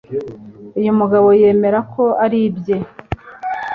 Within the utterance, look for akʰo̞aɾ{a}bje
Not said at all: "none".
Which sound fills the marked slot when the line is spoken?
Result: i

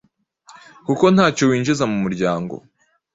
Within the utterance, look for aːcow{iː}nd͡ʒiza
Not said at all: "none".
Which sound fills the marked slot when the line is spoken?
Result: iː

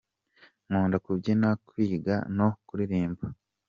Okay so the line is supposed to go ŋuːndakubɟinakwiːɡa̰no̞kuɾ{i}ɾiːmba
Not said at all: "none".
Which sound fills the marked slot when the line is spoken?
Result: i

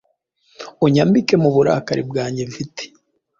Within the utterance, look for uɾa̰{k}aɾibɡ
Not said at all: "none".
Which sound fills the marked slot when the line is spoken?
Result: k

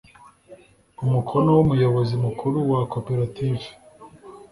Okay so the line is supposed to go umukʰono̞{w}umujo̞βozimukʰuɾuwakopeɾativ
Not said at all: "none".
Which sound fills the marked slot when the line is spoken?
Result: w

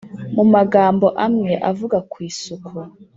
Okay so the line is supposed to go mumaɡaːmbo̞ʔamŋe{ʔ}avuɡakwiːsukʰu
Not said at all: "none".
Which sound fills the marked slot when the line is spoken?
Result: ʔ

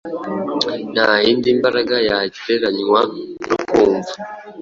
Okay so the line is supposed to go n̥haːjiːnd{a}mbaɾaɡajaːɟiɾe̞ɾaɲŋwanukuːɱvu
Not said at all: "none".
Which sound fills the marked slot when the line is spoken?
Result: i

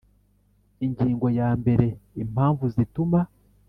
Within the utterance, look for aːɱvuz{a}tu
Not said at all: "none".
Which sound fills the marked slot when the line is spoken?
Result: i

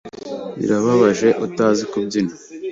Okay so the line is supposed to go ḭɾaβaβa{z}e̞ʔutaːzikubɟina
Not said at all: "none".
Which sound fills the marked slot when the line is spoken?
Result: ʒ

